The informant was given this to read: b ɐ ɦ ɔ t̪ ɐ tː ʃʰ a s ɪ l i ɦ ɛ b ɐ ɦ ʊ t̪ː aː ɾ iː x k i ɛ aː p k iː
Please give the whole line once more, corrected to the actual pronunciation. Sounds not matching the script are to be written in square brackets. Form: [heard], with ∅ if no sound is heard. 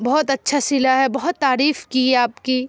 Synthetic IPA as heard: b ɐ ɦ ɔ t̪ ɐ tː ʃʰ a s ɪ l [a] ɦ ɛ b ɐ ɦ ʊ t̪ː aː ɾ iː [f] k i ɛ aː p k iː